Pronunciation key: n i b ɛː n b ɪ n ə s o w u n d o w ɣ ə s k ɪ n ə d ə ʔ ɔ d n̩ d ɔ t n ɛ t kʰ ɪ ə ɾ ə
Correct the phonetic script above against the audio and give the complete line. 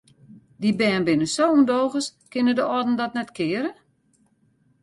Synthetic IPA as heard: d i b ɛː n b ɪ n ə s o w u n d o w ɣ ə s k ɪ n ə d ə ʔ ɔ d n̩ d ɔ t n ɛ t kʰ ɪ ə ɾ ə